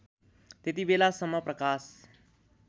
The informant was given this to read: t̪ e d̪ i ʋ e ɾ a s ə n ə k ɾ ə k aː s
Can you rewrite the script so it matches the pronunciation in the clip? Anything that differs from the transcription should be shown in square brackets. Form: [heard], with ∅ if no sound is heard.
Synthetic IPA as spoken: t̪ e [t̪] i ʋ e [l] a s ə [m] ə [p] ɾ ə k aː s